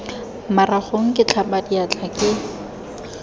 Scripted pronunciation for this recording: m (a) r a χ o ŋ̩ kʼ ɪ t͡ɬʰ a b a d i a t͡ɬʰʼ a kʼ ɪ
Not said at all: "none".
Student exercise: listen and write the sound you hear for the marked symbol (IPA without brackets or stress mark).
a